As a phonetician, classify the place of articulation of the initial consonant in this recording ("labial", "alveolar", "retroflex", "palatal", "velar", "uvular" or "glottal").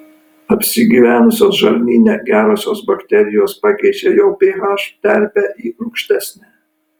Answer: labial